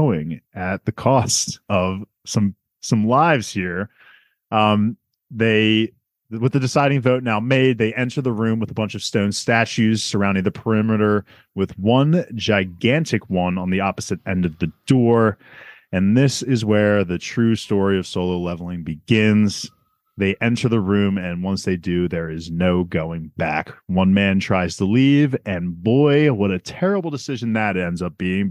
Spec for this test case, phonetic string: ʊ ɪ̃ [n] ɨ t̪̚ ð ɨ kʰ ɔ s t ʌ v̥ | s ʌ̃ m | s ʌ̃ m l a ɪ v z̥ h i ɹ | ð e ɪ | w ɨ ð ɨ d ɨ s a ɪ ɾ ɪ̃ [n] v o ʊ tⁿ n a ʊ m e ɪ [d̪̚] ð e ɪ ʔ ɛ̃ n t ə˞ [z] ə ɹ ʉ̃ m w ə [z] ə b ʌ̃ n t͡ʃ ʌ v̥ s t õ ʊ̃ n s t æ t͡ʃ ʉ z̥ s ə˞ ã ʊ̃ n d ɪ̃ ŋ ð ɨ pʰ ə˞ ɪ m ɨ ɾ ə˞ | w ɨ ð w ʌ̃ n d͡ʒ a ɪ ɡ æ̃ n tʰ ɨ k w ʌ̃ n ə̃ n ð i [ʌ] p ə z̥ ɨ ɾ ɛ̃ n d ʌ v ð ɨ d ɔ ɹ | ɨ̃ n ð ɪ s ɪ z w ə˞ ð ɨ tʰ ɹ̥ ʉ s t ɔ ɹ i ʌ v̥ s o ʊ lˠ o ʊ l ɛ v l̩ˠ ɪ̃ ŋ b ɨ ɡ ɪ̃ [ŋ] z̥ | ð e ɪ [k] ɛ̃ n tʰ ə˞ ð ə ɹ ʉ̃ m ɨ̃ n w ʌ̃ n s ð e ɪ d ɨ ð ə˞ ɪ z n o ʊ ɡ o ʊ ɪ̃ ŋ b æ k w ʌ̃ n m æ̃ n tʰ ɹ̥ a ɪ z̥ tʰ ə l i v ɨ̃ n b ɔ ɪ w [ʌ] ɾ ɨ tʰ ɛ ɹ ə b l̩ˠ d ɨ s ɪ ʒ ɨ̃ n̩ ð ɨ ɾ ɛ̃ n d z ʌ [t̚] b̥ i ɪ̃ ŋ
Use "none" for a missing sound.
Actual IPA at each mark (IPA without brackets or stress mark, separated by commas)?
ŋ, ŋ, d̪̚, ð, ð, ɑ, n, ʔ, ʌ, p̚